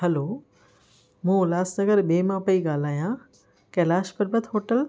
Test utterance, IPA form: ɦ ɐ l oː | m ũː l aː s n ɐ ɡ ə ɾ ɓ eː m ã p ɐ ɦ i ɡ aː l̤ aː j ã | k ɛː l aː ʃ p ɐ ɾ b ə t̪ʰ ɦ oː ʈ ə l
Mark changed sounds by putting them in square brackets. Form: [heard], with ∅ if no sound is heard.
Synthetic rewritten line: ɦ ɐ l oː | m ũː l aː s n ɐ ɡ ə ɾ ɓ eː m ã p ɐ [∅] i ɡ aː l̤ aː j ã | k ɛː l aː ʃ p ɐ ɾ b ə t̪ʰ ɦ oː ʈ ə l